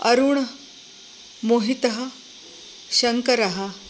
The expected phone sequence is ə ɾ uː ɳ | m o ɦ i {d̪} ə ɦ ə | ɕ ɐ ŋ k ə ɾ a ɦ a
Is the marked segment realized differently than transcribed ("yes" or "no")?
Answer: yes